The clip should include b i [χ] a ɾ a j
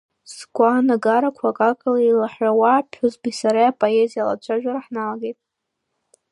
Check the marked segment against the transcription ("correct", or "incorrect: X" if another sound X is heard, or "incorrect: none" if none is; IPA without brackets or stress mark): incorrect: s